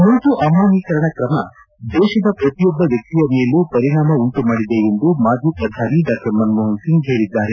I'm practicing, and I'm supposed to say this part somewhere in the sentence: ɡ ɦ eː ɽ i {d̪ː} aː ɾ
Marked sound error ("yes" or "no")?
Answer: no